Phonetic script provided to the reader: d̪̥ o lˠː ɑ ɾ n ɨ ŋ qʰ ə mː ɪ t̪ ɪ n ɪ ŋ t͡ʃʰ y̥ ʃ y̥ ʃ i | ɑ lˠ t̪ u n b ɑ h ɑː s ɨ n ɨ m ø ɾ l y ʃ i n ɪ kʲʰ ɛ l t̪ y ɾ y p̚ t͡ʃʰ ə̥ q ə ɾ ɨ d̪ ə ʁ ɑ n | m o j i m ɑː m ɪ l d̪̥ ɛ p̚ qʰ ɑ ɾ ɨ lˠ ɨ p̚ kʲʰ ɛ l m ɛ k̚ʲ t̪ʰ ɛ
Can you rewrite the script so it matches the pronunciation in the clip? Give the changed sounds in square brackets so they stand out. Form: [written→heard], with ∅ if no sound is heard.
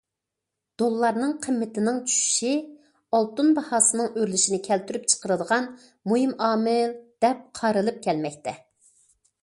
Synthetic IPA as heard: d̪̥ o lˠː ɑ ɾ n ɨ ŋ qʰ ə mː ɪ t̪ ɪ n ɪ ŋ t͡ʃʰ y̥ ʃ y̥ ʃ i | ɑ lˠ t̪ u n b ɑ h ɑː s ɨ n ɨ [m→ŋ] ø ɾ l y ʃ i n ɪ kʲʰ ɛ l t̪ y ɾ y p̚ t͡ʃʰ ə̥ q ə ɾ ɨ d̪ ə ʁ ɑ n | m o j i m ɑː m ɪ l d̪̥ ɛ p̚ qʰ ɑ ɾ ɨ lˠ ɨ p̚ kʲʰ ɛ l m ɛ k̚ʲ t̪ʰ ɛ

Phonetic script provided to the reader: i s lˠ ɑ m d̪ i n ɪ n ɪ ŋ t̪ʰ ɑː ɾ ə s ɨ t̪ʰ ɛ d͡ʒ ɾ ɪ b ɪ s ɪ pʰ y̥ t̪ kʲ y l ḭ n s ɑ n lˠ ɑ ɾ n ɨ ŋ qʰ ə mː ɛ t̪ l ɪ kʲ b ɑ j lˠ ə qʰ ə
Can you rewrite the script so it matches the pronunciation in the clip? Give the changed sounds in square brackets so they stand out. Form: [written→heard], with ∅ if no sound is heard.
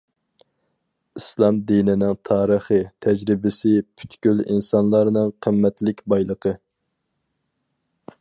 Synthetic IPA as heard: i s lˠ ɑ m d̪ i n ɪ n ɪ ŋ t̪ʰ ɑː ɾ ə [s→χ] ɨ t̪ʰ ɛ d͡ʒ ɾ ɪ b ɪ s ɪ pʰ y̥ t̪ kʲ y l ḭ n s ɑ n lˠ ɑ ɾ n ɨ ŋ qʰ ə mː ɛ t̪ l ɪ kʲ b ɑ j lˠ ə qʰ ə

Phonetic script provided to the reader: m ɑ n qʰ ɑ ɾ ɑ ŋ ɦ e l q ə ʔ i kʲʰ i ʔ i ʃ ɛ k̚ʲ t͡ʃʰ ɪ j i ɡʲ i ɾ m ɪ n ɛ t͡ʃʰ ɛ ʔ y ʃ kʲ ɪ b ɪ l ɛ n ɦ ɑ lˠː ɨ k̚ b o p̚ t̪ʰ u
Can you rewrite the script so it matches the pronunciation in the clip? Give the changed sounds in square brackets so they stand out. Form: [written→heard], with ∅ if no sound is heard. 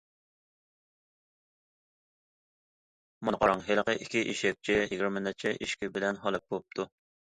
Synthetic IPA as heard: m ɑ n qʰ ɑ ɾ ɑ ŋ ɦ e l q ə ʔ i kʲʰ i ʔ i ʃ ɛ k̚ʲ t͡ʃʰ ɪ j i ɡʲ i ɾ m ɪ n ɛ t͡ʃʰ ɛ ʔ [y→i] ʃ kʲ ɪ b ɪ l ɛ n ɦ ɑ [lˠː→lˠ] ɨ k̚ b o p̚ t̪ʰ u

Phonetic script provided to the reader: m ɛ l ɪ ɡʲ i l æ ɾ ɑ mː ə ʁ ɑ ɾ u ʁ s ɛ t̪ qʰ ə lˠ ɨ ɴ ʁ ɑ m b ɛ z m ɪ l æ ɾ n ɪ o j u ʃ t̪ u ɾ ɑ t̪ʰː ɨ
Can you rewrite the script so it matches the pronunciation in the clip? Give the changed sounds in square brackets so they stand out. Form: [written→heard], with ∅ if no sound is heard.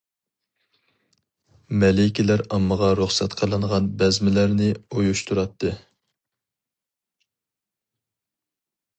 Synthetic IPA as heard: m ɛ l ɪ [ɡʲ→kʲ] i l æ ɾ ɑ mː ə ʁ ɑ ɾ u [ʁ→χ] s ɛ t̪ qʰ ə lˠ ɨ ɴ ʁ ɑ [m→n] b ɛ z m ɪ l æ ɾ n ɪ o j u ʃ t̪ u ɾ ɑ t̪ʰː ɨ

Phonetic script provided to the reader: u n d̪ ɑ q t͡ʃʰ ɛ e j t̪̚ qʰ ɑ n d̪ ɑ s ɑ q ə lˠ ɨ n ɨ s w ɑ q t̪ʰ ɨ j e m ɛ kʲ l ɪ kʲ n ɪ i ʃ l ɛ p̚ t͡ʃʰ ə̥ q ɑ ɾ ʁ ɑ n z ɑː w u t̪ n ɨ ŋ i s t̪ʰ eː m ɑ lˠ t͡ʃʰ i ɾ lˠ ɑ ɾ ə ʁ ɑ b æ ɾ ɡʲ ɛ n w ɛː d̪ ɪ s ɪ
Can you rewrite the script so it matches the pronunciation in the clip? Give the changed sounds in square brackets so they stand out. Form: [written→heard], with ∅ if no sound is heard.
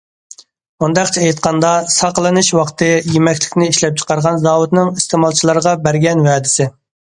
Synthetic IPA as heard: u n d̪ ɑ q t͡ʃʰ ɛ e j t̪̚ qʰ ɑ n d̪ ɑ s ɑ q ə lˠ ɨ n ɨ [s→ʃ] w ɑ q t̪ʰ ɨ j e m ɛ kʲ l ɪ kʲ n ɪ i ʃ l ɛ p̚ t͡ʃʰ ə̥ q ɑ ɾ ʁ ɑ n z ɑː w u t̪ n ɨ ŋ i s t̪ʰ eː m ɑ lˠ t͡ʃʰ i [ɾ→∅] lˠ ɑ ɾ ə ʁ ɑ b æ ɾ ɡʲ ɛ n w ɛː d̪ ɪ s ɪ

